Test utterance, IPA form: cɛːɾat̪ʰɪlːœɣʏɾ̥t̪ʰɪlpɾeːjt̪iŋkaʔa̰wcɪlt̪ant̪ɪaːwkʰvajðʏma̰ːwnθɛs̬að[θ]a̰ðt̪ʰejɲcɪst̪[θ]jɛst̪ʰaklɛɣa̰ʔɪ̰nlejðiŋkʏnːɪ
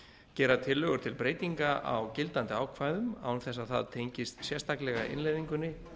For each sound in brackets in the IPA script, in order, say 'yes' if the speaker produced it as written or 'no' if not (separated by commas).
yes, no